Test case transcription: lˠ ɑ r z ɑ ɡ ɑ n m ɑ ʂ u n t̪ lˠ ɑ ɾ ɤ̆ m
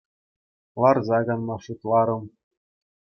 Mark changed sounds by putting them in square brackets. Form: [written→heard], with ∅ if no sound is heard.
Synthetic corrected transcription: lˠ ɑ r z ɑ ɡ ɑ n m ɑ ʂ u [n→∅] t̪ lˠ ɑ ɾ ɤ̆ m